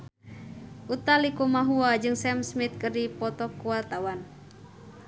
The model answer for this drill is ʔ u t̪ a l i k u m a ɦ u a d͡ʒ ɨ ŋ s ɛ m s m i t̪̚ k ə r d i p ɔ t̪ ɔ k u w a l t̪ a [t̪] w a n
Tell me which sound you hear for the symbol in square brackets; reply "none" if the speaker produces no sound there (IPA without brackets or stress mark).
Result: none